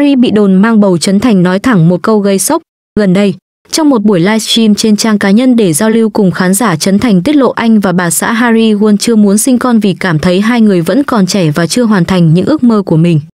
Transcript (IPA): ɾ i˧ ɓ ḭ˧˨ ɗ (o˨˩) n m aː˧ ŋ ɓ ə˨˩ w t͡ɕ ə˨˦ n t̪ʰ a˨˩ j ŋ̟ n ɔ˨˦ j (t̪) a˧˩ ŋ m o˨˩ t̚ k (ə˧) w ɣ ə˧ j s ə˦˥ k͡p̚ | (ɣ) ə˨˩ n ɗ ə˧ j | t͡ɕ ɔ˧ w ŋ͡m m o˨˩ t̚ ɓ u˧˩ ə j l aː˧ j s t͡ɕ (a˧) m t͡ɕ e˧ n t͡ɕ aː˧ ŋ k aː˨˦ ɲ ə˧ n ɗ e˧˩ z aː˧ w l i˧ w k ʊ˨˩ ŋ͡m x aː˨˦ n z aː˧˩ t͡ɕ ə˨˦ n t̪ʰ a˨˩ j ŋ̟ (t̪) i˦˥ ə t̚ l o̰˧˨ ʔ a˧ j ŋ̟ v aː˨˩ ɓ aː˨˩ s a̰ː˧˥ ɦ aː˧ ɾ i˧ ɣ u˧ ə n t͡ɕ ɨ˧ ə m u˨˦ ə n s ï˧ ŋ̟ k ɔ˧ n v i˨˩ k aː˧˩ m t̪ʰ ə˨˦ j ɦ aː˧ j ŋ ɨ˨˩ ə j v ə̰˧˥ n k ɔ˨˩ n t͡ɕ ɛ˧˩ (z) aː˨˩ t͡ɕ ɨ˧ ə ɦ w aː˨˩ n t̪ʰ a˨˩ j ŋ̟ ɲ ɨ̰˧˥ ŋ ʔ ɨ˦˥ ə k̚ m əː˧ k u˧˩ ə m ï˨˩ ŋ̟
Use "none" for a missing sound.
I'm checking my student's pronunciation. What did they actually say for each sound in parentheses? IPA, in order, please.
o˨˩, t̪ʰ, ə˧, ɣ, i˧, t̪, v

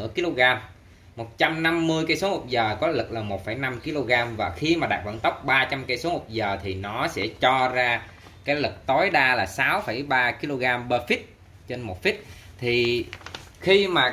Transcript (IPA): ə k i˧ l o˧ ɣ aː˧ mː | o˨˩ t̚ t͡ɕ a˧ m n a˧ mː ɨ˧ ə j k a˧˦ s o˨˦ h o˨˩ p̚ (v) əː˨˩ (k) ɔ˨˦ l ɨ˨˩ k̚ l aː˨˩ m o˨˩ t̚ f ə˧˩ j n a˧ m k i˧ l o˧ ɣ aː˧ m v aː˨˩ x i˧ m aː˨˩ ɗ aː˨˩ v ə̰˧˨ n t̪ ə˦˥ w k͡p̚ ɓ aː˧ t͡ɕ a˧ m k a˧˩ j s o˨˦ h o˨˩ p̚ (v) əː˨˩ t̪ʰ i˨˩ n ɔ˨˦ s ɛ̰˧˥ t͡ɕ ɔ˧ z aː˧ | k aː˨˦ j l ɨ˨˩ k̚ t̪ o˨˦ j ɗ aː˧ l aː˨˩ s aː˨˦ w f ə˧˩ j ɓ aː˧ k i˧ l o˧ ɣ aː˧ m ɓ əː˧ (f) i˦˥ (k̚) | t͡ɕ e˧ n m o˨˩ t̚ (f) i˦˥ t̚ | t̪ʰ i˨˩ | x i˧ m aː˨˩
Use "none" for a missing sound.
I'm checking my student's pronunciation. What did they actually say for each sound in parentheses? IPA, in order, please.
z, k, z, f, t̚, f

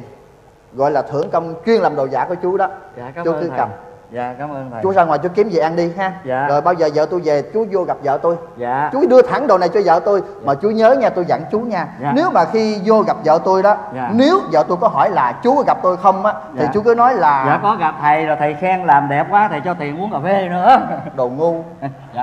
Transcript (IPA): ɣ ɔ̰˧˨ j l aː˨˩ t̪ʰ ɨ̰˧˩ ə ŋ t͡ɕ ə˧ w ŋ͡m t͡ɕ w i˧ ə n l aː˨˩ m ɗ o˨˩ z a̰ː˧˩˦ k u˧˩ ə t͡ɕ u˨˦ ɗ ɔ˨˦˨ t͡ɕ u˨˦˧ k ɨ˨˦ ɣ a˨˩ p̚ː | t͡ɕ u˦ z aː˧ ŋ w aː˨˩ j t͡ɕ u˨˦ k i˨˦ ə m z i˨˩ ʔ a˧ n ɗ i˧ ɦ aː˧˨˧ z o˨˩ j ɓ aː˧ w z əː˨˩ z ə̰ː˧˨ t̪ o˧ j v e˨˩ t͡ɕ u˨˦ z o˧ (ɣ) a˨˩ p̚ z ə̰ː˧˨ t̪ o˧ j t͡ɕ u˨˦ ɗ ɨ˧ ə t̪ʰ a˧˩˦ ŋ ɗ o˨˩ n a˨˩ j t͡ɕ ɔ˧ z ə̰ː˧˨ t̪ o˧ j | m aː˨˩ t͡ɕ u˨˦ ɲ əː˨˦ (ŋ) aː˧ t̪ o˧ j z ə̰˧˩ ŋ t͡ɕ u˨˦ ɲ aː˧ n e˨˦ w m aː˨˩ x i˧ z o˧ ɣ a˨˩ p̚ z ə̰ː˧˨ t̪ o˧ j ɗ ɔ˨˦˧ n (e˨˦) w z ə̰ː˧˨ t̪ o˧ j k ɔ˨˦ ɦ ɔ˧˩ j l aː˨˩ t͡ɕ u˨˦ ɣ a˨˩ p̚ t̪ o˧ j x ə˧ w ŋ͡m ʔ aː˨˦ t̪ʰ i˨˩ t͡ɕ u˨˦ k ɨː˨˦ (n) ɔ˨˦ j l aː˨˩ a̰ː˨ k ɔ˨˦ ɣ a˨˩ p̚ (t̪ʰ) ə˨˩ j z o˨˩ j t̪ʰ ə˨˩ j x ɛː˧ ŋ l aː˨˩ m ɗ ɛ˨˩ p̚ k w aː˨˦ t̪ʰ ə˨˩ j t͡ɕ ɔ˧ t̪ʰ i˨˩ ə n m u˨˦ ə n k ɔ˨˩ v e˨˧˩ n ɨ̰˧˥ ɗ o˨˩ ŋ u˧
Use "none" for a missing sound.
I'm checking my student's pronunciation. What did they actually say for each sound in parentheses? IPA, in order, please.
ɣ, ɲ, e˨˦, n, t̪ʰ

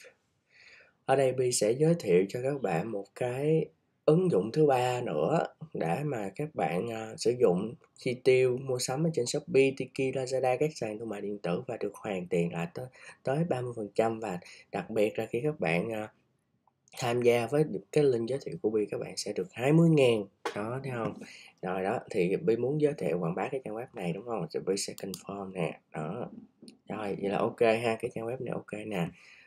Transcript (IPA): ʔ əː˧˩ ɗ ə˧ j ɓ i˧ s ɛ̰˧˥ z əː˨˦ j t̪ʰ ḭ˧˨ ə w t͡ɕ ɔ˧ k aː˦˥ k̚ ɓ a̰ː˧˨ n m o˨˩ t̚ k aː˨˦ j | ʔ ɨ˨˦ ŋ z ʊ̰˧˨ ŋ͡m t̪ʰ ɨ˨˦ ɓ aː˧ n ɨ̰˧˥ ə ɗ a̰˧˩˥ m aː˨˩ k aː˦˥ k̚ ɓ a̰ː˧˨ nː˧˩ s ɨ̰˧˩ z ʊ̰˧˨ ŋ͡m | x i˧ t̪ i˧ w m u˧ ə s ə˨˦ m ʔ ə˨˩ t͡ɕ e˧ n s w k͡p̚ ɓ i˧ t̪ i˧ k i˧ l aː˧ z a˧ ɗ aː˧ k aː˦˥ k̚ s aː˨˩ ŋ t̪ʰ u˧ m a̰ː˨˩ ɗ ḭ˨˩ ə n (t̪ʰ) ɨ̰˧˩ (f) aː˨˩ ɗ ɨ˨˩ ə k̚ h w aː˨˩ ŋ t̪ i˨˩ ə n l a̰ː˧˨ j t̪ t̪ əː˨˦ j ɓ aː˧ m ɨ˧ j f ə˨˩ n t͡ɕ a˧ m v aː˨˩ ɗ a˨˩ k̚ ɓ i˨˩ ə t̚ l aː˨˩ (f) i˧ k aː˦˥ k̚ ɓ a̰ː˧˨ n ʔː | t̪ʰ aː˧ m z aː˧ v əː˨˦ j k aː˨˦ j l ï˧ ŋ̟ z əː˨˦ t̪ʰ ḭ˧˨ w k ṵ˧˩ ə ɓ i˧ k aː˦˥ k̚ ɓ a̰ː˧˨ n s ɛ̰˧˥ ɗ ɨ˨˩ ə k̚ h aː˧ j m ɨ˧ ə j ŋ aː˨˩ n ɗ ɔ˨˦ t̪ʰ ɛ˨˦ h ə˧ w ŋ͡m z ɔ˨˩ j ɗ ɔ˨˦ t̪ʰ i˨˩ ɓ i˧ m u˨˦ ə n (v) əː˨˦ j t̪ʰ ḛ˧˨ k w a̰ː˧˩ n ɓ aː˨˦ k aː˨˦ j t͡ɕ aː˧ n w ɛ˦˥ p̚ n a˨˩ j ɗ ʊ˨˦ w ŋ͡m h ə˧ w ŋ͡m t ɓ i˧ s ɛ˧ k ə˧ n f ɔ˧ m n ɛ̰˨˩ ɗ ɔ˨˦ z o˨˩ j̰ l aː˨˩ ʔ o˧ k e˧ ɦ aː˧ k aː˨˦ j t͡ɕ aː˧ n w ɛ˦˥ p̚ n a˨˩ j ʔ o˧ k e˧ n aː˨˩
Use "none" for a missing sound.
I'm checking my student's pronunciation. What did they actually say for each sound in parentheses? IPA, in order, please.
t̪, v, x, z

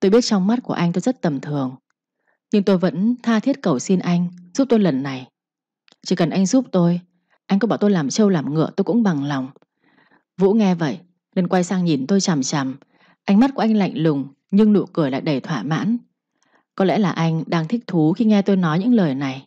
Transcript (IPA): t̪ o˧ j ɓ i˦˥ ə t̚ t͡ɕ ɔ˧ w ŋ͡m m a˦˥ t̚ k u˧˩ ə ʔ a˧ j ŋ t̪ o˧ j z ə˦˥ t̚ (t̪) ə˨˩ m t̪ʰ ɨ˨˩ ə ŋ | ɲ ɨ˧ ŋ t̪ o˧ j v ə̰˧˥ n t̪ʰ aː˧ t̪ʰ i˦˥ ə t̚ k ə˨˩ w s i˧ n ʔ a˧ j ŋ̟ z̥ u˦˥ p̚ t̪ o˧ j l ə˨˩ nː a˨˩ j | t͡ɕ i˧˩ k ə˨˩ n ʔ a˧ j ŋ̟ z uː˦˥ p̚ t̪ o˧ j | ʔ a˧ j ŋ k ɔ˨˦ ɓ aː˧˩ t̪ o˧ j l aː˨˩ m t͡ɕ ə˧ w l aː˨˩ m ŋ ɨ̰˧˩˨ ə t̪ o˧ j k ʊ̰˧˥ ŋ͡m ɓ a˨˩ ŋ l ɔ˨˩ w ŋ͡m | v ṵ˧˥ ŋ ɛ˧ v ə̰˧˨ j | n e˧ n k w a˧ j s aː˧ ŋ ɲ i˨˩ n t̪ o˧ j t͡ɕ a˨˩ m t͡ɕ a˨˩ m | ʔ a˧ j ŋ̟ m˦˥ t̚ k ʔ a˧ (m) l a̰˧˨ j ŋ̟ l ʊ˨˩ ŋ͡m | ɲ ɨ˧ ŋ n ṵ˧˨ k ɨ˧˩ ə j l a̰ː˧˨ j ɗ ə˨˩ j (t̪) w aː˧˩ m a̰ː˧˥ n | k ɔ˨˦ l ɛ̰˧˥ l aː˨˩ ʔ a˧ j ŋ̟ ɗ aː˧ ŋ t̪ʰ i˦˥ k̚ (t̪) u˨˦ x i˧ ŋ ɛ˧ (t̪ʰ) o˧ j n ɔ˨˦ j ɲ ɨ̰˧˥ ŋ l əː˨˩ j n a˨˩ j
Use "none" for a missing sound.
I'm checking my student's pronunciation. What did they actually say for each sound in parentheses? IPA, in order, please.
t̪, ŋ, t̪ʰ, t̪ʰ, t̪

